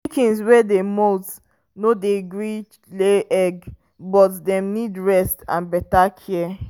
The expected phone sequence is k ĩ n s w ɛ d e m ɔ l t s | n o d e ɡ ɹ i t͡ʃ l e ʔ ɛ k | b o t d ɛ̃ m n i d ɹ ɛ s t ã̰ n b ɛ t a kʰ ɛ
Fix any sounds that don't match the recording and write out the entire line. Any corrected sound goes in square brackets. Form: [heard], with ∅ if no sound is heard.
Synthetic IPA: k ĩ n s w ɛ d e m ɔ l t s | n o d e ɡ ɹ i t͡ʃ l e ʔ ɛ [ɡ] | b [ɔ] t d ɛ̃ m n i d ɹ ɛ s t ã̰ n b ɛ t a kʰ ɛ